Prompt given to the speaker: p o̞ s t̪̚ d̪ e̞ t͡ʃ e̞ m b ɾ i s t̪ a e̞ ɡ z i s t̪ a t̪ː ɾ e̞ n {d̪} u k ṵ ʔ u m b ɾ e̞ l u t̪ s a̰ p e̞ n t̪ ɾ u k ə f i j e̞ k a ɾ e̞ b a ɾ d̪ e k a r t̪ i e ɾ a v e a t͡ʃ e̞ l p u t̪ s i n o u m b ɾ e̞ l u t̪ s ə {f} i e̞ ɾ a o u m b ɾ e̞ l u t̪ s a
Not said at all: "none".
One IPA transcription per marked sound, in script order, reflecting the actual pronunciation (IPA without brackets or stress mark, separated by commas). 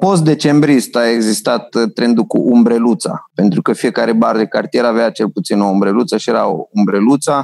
d̪, ʃ